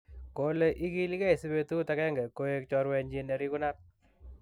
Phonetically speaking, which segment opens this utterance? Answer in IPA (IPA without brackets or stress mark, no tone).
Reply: k